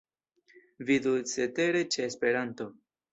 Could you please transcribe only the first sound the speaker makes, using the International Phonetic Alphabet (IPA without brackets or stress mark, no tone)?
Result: v